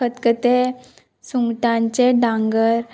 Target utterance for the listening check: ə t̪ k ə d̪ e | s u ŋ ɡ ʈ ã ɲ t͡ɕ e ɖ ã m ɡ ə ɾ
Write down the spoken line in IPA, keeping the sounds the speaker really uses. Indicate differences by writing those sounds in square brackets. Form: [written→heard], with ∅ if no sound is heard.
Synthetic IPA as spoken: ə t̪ k ə [d̪→t̪] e | s u ŋ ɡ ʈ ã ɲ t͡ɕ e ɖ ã [m→ŋ] ɡ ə ɾ

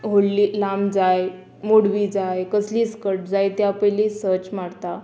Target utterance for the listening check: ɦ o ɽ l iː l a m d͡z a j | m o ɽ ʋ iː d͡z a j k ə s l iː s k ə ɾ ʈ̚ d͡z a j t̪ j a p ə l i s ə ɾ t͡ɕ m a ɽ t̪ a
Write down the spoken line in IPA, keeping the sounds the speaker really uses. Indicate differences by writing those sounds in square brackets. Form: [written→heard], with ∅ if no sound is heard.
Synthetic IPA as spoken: ɦ o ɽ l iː l a m d͡z a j | m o ɽ ʋ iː d͡z a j k ə s l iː s k ə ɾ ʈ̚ d͡z a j t̪ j a p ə l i s ə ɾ t͡ɕ m a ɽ t̪ a

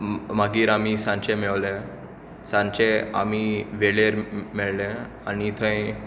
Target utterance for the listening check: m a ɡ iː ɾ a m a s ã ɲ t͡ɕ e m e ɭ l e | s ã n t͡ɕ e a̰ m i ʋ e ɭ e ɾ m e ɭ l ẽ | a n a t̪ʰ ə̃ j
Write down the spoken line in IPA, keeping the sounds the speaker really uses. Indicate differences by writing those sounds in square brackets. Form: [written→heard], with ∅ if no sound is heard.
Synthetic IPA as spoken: m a ɡ iː ɾ a m [a→i] s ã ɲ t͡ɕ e m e ɭ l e | s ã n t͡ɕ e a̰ m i ʋ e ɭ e ɾ m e ɭ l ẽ | a n [a→i] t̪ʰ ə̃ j

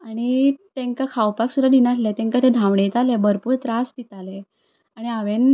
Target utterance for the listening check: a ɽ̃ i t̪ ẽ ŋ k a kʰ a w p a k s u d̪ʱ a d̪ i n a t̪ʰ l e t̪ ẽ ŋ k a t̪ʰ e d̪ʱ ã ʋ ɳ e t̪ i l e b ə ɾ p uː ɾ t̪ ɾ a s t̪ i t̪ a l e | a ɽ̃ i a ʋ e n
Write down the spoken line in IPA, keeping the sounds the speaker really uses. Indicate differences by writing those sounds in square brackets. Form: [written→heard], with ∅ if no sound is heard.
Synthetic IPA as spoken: a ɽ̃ i t̪ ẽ ŋ k a kʰ a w p a k s u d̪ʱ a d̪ i n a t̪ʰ l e t̪ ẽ ŋ k a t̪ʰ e d̪ʱ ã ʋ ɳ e t̪ [i→a] l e b ə ɾ p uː ɾ t̪ ɾ a s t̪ i t̪ a l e | a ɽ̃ i a ʋ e n

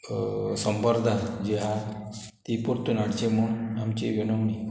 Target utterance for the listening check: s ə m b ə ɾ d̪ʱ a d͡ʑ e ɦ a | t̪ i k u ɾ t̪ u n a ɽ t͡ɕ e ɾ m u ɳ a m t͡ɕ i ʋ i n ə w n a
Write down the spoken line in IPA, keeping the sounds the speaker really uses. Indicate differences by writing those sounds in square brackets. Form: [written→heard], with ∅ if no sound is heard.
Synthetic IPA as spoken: s ə m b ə ɾ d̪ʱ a d͡ʑ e ɦ a | t̪ i [k→p] u ɾ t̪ u n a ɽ t͡ɕ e [ɾ→∅] m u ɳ a m t͡ɕ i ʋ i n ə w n [a→i]

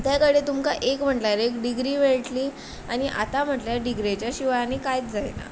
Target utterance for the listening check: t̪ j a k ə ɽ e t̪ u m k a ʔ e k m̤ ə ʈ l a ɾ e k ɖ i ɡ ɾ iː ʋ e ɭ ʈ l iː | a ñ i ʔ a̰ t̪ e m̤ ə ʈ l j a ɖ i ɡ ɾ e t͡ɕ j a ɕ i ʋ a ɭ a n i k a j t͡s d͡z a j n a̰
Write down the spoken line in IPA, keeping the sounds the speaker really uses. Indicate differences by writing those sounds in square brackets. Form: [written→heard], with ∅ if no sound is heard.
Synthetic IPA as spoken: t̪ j a k ə ɽ e t̪ u m k a ʔ e k m̤ ə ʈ l a ɾ e k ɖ i ɡ ɾ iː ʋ e ɭ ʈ l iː | a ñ i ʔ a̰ t̪ [e→a] m̤ ə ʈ l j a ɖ i ɡ ɾ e t͡ɕ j a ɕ i ʋ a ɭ a n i k a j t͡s d͡z a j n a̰

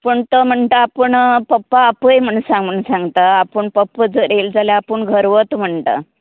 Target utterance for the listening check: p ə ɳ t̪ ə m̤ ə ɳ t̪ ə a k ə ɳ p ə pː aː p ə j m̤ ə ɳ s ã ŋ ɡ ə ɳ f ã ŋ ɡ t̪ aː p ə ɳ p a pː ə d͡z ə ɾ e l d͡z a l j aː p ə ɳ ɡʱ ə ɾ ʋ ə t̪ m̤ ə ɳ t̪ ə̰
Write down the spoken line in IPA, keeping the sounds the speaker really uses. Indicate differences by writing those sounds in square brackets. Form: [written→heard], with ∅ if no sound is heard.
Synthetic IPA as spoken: p ə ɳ t̪ ə m̤ ə ɳ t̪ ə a [k→p] ə ɳ p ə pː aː p ə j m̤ ə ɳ s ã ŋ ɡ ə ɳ [f→s] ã ŋ ɡ t̪ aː p ə ɳ p [a→ə] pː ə d͡z ə ɾ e l d͡z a l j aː p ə ɳ ɡʱ ə ɾ ʋ ə t̪ m̤ ə ɳ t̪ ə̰

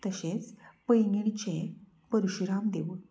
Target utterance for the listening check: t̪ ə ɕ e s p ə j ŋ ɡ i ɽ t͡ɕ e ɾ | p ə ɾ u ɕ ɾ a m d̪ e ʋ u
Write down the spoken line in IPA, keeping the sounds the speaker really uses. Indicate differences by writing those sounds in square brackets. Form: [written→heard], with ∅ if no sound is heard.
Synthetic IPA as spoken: t̪ ə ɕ e [s→t͡s] p ə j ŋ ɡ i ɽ t͡ɕ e [ɾ→∅] | p ə ɾ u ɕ ɾ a m d̪ e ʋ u

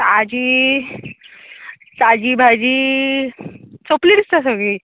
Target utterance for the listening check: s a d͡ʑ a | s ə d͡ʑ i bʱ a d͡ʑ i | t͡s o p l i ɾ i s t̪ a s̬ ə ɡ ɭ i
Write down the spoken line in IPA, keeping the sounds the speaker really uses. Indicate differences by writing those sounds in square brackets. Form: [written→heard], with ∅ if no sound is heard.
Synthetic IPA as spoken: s a d͡ʑ [a→i] | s [ə→a] d͡ʑ i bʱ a d͡ʑ i | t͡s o p l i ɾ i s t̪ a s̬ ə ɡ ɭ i

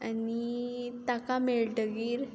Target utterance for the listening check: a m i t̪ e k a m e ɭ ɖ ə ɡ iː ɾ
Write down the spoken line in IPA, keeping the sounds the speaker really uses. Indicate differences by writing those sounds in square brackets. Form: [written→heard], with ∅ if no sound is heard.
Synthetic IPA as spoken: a [m→n] i t̪ [e→a] k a m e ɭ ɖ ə ɡ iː ɾ

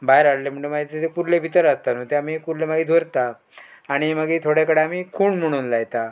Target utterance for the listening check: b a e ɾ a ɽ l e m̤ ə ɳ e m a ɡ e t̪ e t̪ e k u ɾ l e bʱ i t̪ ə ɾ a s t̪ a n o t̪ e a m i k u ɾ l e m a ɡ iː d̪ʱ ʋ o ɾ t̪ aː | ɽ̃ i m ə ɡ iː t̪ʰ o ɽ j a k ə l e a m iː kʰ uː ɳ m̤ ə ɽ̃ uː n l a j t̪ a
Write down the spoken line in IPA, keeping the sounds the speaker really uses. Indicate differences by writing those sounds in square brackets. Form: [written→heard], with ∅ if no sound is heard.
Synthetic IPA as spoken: b a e ɾ a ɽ l e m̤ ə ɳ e m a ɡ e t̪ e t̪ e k u ɾ l e bʱ i t̪ ə ɾ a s t̪ a n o t̪ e a m i k u ɾ l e m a ɡ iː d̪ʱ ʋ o ɾ t̪ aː | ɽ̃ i m ə ɡ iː t̪ʰ o ɽ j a k ə [l→ɽ] e a m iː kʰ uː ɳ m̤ ə ɽ̃ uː n l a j t̪ a

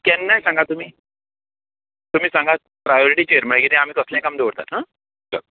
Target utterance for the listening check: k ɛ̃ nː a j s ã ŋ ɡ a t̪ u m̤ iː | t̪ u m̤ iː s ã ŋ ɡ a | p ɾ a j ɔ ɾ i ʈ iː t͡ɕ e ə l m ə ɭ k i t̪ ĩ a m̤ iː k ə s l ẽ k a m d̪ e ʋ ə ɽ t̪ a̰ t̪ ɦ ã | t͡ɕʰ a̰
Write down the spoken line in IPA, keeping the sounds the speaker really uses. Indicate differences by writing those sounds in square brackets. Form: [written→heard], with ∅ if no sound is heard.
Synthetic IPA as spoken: k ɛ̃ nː a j s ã ŋ ɡ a t̪ u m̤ iː | t̪ u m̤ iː s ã ŋ ɡ a | p ɾ a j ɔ ɾ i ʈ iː t͡ɕ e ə [l→ɾ] m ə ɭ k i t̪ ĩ a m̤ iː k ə s l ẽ k a m d̪ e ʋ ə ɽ t̪ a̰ t̪ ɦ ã | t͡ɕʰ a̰

